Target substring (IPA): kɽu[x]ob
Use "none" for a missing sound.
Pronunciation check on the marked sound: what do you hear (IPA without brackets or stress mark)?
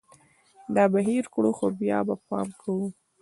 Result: x